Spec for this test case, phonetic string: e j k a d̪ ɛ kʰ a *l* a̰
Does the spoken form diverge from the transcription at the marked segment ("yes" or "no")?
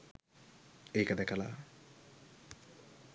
no